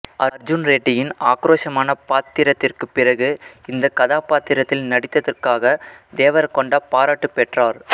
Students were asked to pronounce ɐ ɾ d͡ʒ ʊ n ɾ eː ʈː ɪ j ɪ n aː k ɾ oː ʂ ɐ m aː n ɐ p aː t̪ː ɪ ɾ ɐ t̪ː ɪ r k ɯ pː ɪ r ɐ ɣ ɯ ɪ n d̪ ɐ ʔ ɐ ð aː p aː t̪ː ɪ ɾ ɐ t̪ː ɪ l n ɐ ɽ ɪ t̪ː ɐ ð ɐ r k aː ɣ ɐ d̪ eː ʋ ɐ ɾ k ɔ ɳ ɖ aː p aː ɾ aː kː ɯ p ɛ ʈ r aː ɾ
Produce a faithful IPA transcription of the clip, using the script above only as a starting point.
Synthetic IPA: ɐ ɾ d͡ʒ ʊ n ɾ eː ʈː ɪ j ɪ n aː k ɾ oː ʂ ɐ m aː n ɐ p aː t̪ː ɪ ɾ ɐ t̪ː ɪ r k ɯ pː ɪ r ɐ ɣ ɯ ɪ n d̪ ɐ k ɐ ð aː p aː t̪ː ɪ ɾ ɐ t̪ː ɪ l n ɐ ɽ ɪ t̪ː ɐ ð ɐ r k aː ɣ ɐ d̪ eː ʋ ɐ ɾ k ɔ ɳ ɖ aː p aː ɾ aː ʈː ɯ p ɛ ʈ r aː ɾ